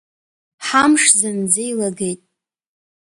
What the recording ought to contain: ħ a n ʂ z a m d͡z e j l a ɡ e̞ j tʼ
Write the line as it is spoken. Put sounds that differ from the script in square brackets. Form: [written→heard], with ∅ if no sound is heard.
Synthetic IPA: ħ a [n→m] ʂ z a [m→n] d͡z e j l a ɡ e̞ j tʼ

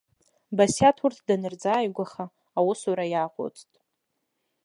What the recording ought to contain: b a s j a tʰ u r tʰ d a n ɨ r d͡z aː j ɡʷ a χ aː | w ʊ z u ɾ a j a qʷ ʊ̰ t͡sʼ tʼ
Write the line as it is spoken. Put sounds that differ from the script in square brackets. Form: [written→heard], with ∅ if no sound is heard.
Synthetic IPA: b a s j a tʰ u r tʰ d a n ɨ r d͡z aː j ɡʷ a χ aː | w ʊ [z→s] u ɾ a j a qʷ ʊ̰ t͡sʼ tʼ

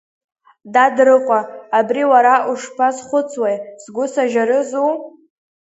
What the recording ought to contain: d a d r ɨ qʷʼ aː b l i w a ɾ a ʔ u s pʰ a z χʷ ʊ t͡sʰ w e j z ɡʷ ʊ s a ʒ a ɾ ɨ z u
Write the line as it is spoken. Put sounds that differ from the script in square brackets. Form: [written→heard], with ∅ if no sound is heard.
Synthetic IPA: d a d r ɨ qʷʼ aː b [l→r] i w a ɾ a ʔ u [s→ʂ] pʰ a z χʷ ʊ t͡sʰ w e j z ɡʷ ʊ s a ʒ a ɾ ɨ z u

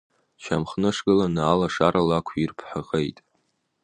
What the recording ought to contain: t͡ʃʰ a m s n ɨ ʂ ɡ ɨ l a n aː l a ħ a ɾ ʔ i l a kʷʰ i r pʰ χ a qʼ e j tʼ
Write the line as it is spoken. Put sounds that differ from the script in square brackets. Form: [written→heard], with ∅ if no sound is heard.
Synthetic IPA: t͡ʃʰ a m [s→χ] n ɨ ʂ ɡ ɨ l a n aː l a [ħ→ʂ] a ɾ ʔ [i→a] l a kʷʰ i r pʰ [χ→ħ] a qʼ e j tʼ

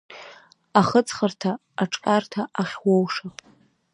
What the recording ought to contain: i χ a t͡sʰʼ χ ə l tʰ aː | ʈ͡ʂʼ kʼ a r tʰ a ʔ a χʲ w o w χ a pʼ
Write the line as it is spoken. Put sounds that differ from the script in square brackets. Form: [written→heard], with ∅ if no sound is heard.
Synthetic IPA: [i→a] χ [a→ə] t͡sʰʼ χ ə [l→r] tʰ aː | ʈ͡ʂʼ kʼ a r tʰ a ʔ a χʲ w o w [χ→ʂ] a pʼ

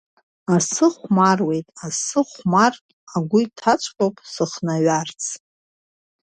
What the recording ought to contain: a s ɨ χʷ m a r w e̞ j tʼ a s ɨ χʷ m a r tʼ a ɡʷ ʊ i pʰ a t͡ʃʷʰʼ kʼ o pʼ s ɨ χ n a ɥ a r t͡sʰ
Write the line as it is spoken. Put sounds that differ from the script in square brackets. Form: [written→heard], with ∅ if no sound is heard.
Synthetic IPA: a s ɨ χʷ m a r w e̞ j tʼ a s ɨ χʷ m a r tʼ a ɡʷ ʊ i [pʰ→tʰ] a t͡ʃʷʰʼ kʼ o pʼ s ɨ χ n a ɥ a r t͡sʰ

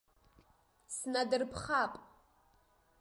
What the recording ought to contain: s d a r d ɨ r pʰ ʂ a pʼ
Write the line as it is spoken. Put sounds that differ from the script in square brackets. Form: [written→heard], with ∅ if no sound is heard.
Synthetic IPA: s [d→n] a [r→∅] d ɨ r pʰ [ʂ→χ] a pʼ

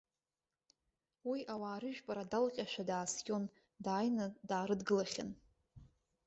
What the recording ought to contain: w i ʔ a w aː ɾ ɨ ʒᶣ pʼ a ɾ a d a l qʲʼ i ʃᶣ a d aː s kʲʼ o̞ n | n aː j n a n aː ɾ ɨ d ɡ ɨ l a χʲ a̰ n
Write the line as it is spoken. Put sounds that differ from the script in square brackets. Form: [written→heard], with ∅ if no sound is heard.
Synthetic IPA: w i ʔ a w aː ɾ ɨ ʒᶣ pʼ a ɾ a d a l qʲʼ [i→a] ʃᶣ a d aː s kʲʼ o̞ n | [n→d] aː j n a [n→d] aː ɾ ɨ d ɡ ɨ l a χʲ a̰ n

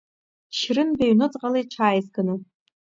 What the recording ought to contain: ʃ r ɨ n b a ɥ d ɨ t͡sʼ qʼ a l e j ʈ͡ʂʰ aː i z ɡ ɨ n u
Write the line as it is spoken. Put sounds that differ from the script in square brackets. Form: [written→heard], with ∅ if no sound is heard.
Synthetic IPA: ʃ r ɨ n b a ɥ [d→n] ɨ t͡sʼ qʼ a l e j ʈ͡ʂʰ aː [i→j] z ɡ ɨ n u

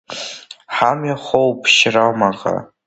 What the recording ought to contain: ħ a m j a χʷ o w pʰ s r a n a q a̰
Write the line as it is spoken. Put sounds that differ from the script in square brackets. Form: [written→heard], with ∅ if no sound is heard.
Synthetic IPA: ħ a m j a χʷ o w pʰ [s→ʃ] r a [n→m] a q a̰

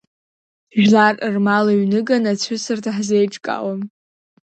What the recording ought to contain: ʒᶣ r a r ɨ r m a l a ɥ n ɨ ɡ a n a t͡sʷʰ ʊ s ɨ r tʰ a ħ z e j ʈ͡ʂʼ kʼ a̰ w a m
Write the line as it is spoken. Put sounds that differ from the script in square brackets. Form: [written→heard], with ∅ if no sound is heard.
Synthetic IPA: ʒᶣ [r→l] a r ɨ r m a l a ɥ n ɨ ɡ a n a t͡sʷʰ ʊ s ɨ r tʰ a ħ z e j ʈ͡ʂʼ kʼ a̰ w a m

